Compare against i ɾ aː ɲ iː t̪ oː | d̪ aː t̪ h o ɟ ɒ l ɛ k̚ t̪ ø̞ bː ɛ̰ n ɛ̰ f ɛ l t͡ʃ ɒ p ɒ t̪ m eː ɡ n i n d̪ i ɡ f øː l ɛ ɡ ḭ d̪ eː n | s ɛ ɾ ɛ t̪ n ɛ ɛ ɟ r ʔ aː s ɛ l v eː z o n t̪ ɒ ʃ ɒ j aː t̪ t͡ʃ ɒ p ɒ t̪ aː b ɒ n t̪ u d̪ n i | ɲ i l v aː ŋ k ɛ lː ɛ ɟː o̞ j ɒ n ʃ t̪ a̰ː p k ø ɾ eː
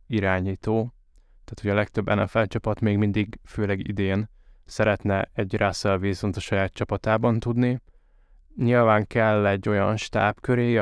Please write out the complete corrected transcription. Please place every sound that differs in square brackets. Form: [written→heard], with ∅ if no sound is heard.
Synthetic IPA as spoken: i ɾ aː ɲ iː t̪ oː | [d̪→t̪] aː t̪ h o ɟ ɒ l ɛ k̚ t̪ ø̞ bː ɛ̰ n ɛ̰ f ɛ l t͡ʃ ɒ p ɒ t̪ m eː ɡ [n→m] i n d̪ i ɡ f øː l ɛ ɡ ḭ d̪ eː n | s ɛ ɾ ɛ t̪ n ɛ ɛ ɟ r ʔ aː s ɛ l v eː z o n t̪ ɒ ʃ ɒ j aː t̪ t͡ʃ ɒ p ɒ t̪ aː b ɒ n t̪ u d̪ n i | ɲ i l v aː ŋ k ɛ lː ɛ ɟː o̞ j ɒ n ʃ t̪ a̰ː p k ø ɾ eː